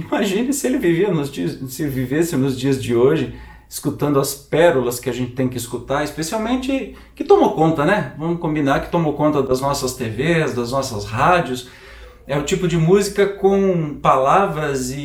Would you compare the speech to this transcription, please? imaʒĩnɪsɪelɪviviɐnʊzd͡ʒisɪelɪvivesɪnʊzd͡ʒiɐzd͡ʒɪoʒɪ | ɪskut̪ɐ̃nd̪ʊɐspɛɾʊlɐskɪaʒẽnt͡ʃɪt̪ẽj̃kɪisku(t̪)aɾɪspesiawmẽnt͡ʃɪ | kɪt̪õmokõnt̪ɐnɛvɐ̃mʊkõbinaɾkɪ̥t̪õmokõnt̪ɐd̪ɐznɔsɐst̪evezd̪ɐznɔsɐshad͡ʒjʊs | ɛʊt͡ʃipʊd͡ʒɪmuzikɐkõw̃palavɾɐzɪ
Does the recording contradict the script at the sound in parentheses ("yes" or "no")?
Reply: no